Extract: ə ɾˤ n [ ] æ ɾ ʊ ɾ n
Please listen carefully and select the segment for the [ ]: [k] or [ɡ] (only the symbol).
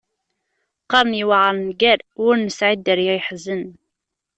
ɡ